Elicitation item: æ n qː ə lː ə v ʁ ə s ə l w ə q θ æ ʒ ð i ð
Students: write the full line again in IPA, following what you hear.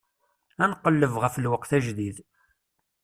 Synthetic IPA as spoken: æ n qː ə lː ə v ʁ ə f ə l w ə q θ æ ʒ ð i ð